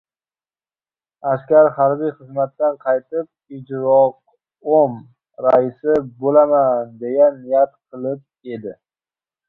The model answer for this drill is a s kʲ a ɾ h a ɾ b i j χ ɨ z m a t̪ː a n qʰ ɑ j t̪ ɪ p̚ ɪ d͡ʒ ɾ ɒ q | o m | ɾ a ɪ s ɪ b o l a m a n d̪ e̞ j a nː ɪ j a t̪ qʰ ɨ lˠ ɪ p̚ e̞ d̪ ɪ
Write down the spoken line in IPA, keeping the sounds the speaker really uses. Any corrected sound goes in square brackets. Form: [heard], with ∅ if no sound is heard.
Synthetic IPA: a s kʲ a ɾ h a ɾ b i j χ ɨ z m a t̪ː a n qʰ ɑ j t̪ ɪ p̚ ɪ d͡ʒ ɾ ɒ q | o m | ɾ a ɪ s ɪ b o l a m a n d̪ e̞ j a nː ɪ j a t̪ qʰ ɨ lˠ ɪ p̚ e̞ d̪ ɪ